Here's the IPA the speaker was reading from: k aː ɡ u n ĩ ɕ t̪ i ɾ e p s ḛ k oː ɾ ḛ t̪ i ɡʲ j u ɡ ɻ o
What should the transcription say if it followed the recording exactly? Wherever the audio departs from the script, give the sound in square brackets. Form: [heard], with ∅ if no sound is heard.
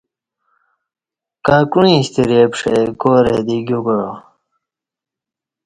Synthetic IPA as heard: k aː [k] u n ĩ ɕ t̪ i ɾ e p [ʂ] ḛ k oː ɾ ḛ [d̪] i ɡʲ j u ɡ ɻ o